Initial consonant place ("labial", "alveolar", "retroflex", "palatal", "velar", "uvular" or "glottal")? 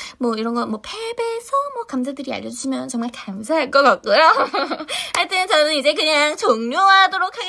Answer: labial